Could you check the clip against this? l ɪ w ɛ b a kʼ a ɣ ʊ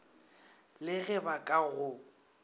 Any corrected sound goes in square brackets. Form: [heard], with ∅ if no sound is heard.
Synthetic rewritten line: l ɪ [ɣ] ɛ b a kʼ a ɣ ʊ